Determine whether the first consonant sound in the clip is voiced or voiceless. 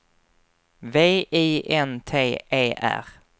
voiced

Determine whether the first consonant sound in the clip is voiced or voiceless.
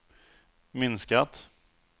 voiced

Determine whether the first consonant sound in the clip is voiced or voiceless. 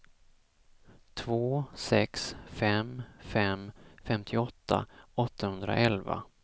voiceless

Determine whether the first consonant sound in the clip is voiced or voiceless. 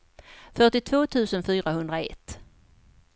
voiceless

